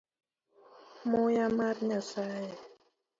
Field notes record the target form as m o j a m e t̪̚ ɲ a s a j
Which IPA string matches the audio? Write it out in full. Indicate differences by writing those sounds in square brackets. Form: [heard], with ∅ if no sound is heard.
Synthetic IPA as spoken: m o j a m [a] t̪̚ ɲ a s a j